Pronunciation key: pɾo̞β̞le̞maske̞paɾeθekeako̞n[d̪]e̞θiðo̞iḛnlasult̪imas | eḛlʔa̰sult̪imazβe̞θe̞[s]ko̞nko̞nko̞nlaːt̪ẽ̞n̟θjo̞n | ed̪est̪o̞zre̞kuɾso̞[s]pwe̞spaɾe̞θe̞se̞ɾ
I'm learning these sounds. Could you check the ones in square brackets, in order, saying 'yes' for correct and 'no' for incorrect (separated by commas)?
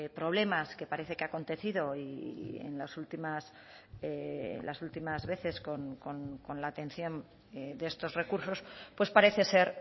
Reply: no, yes, yes